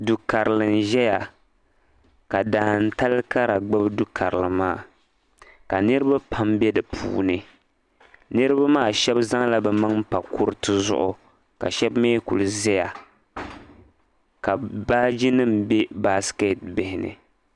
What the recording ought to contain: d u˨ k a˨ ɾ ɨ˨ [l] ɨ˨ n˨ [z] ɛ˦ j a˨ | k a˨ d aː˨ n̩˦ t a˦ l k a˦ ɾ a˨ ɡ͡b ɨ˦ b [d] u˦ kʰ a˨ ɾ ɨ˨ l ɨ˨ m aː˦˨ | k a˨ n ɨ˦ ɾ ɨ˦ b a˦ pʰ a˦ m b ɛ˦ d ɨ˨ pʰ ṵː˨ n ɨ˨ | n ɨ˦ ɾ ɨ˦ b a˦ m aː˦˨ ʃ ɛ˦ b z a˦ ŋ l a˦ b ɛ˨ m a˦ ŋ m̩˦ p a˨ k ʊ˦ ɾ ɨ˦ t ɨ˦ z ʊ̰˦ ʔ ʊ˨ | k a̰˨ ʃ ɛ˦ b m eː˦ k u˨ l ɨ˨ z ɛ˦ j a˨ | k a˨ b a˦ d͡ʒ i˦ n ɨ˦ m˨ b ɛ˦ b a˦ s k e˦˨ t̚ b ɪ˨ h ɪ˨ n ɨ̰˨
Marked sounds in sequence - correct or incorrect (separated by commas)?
correct, incorrect, correct